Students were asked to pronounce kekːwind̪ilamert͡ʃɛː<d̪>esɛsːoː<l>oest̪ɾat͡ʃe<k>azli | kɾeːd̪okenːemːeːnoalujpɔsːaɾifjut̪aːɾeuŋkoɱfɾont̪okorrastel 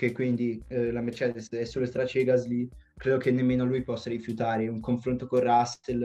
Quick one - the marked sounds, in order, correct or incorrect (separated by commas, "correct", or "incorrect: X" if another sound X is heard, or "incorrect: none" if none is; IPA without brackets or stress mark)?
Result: correct, correct, incorrect: ɡ